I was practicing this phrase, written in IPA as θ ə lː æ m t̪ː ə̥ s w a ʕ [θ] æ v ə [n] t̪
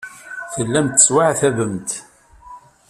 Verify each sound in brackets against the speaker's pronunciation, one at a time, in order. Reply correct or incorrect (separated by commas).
correct, incorrect